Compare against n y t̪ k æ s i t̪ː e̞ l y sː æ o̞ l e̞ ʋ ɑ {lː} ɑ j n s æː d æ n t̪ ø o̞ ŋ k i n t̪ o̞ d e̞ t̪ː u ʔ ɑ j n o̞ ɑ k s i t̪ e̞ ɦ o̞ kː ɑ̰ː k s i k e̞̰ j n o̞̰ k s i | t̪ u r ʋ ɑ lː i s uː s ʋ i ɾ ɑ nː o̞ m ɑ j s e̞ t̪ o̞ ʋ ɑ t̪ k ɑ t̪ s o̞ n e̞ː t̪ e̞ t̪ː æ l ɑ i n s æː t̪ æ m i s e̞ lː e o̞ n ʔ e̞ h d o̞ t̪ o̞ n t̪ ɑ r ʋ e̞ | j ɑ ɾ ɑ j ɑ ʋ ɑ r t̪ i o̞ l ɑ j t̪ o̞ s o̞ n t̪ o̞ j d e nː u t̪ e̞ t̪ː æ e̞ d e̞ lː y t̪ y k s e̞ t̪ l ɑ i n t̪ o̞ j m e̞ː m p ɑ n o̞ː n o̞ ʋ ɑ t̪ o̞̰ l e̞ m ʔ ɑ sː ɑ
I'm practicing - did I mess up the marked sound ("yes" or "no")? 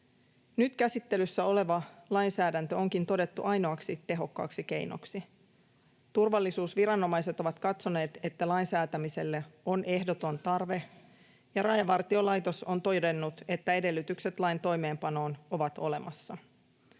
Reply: yes